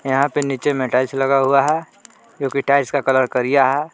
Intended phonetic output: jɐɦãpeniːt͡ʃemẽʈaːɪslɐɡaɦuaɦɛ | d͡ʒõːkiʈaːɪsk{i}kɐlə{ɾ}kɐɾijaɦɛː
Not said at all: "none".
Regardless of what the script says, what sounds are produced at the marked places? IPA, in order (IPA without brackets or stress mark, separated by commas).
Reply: a, ɾ